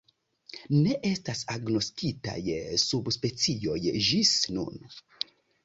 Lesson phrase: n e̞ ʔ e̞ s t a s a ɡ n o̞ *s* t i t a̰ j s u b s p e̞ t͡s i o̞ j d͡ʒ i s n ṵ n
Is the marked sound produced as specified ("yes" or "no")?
yes